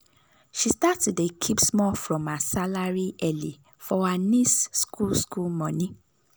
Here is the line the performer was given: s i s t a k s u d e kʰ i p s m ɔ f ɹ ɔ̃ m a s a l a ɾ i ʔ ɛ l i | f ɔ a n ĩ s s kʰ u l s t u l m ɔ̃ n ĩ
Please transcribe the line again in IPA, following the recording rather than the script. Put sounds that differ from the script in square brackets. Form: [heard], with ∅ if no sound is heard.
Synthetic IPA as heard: [ʃ] i s t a [t] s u d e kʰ i p s m ɔ f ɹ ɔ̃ m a s a l a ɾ i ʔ ɛ l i | f ɔ a n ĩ s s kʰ u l s [k] u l m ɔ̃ n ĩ